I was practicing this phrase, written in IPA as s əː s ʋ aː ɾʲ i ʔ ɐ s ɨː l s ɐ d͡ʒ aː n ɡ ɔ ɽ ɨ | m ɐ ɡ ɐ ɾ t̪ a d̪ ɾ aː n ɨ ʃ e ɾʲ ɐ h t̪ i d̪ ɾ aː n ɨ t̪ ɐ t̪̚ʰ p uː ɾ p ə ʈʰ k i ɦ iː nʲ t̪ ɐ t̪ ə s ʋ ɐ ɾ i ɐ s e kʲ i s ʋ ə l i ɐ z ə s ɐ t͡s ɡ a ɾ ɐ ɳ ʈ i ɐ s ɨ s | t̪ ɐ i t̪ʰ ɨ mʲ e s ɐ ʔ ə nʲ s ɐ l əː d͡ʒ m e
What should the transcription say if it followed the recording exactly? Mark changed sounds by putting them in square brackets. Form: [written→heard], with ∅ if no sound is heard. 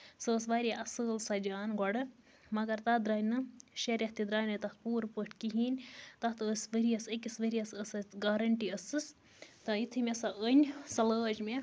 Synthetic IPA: s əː s ʋ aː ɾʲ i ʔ ɐ s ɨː l s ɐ d͡ʒ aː n ɡ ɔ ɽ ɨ | m ɐ ɡ ɐ ɾ t̪ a d̪ ɾ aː n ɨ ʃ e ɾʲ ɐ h t̪ i d̪ ɾ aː n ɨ t̪ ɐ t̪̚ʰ p uː ɾ p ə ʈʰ k i ɦ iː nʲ t̪ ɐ t̪ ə s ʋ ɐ ɾ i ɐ s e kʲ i s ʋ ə [l→ɾ] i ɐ [z→s] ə s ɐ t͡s ɡ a ɾ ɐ ɳ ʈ i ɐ s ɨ s | t̪ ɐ i t̪ʰ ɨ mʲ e s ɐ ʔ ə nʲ s ɐ l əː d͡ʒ m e